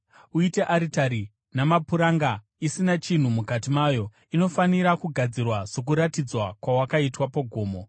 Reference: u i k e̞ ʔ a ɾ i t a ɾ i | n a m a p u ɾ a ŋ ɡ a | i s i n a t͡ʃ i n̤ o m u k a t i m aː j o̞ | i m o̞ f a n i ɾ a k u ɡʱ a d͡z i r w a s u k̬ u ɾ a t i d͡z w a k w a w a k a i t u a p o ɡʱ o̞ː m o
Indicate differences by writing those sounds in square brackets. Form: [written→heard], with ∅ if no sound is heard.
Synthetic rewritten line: u i [k→t] e̞ ʔ a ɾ i t a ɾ i | n a m a p u ɾ a ŋ ɡ a | i s i n a t͡ʃ i n̤ [o→u] m u k a t i m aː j o̞ | i [m→n] o̞ f a n i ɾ a k u ɡʱ a d͡z i r w a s [u→o] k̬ u ɾ a t i d͡z w a k w a w a k a i t [u→w] a p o ɡʱ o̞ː m o